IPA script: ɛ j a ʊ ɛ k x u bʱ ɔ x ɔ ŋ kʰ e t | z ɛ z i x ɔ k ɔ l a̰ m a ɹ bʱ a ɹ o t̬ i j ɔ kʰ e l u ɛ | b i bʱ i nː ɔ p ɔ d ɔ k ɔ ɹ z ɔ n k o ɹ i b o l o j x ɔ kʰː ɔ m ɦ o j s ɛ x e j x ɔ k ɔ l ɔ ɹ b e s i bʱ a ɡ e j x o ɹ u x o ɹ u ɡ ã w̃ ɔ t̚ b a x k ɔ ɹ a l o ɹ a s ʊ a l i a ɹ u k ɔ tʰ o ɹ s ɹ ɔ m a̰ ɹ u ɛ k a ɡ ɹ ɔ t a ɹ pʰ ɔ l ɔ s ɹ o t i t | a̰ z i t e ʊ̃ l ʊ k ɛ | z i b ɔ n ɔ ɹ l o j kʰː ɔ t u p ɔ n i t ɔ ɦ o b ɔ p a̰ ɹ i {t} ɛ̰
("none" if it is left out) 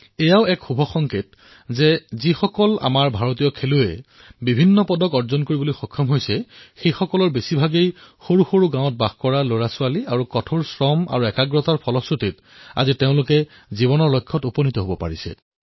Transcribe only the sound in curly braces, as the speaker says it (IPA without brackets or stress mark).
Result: s